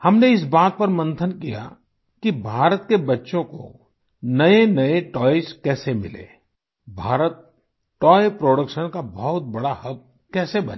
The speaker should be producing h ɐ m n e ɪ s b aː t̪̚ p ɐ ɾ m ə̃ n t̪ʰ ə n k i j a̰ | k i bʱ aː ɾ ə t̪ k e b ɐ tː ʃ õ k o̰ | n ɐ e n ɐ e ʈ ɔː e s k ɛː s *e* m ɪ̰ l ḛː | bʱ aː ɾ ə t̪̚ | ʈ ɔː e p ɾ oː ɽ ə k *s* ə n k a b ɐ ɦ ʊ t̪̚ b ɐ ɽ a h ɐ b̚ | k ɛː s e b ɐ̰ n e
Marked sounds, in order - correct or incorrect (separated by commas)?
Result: correct, incorrect